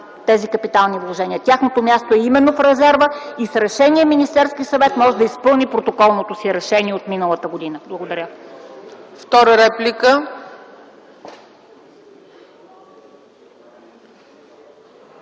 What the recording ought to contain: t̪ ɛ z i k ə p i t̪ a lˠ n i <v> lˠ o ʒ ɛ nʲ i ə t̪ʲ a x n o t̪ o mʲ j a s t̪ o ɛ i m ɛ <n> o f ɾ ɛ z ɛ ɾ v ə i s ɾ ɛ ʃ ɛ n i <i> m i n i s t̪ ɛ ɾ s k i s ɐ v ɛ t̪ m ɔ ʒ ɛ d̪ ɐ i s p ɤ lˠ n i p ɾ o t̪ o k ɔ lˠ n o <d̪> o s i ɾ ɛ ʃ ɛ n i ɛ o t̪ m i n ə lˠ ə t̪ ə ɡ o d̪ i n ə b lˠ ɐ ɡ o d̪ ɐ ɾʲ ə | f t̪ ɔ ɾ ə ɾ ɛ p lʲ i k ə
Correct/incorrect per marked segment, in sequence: correct, incorrect: nː, incorrect: ɛ, incorrect: t̪

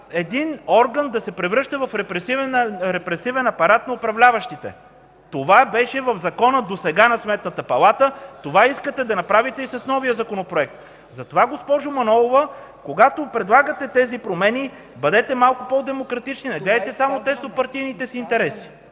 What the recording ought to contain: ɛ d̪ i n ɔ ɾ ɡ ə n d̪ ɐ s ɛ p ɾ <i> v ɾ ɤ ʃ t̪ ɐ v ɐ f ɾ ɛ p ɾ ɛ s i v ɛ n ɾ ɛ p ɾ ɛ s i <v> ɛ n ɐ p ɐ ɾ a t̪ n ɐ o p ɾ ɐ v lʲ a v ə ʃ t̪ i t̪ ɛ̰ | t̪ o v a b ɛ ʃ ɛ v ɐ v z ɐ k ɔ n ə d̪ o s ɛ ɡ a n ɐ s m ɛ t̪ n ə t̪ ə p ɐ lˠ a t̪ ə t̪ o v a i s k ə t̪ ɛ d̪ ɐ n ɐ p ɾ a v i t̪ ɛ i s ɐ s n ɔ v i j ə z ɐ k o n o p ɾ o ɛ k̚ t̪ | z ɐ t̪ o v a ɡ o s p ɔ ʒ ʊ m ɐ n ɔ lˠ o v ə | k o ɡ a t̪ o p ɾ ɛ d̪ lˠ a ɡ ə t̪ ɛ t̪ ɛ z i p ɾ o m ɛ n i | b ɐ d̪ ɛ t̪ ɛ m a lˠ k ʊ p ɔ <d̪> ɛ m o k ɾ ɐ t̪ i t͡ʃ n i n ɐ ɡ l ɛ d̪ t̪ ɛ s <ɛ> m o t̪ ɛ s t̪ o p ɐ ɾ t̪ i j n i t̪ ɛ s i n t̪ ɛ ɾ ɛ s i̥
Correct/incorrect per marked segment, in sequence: incorrect: ɛ, correct, correct, incorrect: a

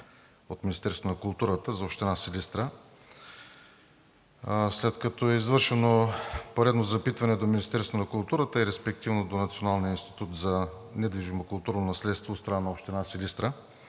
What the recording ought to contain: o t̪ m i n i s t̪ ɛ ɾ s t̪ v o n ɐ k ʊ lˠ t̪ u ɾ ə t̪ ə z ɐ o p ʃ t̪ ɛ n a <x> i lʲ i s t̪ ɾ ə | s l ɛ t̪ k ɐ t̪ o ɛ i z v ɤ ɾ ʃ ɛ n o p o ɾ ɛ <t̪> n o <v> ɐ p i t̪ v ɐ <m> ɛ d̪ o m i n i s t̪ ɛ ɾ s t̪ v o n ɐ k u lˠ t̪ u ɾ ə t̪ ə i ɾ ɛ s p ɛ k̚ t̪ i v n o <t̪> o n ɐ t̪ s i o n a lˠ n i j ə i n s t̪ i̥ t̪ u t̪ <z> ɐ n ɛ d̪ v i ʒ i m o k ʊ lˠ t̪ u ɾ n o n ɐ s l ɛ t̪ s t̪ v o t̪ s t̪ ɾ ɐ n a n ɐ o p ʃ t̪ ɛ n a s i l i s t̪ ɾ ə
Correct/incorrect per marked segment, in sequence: incorrect: s, incorrect: d̪, incorrect: z, incorrect: n, incorrect: d̪, correct

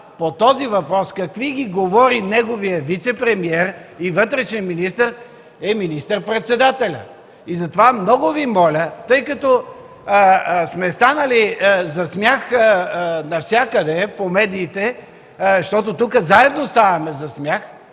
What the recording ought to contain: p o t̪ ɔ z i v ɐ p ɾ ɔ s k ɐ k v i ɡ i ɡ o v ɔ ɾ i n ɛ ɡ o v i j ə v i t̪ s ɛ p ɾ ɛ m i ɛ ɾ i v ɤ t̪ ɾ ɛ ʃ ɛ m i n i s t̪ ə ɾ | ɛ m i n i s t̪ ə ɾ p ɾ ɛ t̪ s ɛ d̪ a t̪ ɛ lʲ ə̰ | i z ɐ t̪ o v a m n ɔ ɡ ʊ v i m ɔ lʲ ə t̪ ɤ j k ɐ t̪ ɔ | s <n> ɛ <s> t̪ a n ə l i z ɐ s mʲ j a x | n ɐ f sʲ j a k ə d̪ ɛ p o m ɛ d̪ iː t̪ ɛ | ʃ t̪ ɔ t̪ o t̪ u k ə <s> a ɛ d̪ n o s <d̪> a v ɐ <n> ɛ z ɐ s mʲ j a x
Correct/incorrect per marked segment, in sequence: incorrect: m, correct, incorrect: z, incorrect: t̪, incorrect: m

